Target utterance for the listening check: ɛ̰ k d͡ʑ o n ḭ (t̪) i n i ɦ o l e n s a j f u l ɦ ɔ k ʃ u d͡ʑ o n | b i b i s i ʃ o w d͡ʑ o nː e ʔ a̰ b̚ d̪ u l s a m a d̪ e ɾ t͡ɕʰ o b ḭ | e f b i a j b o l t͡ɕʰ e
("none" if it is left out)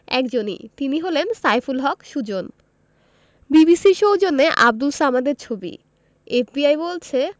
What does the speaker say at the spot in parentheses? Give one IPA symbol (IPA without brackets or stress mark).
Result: t̪